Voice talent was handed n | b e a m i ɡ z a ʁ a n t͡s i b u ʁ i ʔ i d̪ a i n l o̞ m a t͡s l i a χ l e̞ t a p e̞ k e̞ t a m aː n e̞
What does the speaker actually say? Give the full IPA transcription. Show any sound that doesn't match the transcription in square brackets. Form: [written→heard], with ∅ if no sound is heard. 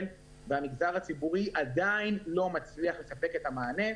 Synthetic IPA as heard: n | [b→v] e a m i ɡ z a ʁ a [n→∅] t͡s i b u ʁ i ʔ [i→a] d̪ a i n l o̞ m a t͡s l i a χ l e̞ [t→s] a p e̞ k e̞ t a m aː n e̞